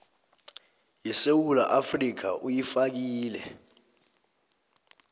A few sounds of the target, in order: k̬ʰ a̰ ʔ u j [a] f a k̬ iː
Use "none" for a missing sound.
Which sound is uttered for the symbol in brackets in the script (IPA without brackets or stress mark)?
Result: i